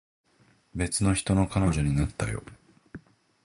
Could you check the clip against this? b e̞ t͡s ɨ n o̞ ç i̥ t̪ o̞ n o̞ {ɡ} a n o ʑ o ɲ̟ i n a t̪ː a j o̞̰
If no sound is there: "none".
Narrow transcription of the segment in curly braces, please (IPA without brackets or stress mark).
k